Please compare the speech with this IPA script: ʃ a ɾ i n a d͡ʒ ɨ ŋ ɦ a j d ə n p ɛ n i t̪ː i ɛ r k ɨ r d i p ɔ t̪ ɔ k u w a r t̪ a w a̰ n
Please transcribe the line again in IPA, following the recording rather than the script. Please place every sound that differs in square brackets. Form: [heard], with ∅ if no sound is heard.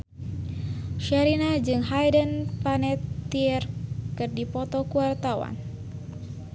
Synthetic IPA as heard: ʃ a ɾ i n a d͡ʒ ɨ ŋ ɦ a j d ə n p [a] n [ɛ] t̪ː i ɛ r k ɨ r d i p ɔ t̪ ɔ k u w a r t̪ a w a̰ n